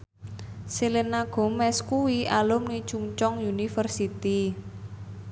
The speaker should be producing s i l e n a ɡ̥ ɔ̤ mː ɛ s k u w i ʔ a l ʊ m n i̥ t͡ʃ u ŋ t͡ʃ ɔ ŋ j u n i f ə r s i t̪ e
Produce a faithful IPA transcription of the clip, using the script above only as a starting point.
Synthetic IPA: s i l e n a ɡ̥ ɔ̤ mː ɛ s k u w i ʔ a l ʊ m n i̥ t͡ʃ u ŋ t͡ʃ ɔ ŋ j u n i f ə r s i t̪ i